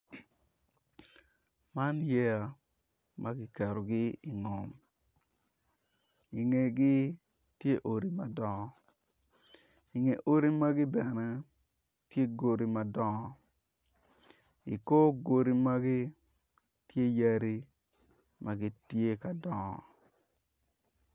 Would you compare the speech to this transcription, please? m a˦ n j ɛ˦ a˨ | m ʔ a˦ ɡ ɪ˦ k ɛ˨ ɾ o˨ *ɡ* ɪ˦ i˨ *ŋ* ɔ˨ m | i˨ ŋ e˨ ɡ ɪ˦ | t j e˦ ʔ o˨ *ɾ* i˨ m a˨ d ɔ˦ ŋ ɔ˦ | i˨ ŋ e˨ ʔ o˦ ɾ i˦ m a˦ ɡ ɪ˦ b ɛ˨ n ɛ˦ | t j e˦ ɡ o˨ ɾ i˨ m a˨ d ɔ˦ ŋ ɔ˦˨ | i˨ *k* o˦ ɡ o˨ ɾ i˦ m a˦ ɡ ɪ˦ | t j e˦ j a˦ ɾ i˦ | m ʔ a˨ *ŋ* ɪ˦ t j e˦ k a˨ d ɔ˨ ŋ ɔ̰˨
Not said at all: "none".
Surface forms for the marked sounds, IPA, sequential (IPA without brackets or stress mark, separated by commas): ɡ, ŋ, ɾ, k, ɡ